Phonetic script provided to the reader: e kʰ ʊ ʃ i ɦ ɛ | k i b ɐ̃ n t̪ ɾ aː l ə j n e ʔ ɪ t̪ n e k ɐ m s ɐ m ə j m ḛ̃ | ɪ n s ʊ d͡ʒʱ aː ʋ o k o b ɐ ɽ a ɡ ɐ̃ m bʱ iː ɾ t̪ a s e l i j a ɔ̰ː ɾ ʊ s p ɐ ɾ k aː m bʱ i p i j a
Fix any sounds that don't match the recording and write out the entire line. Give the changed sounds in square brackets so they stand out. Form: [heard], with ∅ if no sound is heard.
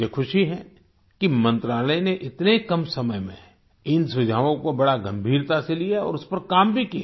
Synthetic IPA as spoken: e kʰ ʊ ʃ i ɦ ɛ | k i [m] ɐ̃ n t̪ ɾ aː l ə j n e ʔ ɪ t̪ n e k ɐ m s ɐ m ə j m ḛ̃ | ɪ n s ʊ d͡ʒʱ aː ʋ [õ] k o b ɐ ɽ a ɡ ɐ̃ m bʱ iː ɾ t̪ a s e l i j a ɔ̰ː ɾ ʊ s p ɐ ɾ k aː m bʱ i [k] i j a